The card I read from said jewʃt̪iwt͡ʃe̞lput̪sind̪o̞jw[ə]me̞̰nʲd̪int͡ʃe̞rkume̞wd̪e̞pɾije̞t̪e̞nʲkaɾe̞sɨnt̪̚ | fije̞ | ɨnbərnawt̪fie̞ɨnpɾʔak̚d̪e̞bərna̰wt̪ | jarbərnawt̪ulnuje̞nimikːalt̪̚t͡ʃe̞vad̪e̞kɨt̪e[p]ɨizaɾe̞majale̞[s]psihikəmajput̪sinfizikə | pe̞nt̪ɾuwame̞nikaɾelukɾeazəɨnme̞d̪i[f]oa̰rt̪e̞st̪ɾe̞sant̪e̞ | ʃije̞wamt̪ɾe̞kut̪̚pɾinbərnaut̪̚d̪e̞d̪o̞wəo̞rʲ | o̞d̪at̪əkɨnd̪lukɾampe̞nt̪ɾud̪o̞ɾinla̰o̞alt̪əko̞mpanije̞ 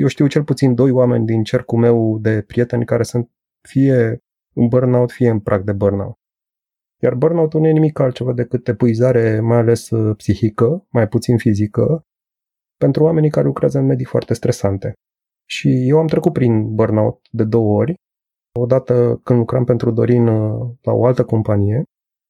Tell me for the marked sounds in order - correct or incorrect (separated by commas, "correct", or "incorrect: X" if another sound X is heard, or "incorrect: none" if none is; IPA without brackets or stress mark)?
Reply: incorrect: a, correct, correct, correct